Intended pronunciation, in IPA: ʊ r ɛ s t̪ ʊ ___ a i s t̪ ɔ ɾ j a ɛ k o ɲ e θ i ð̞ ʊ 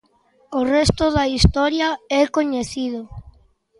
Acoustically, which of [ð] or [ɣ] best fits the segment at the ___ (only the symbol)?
ð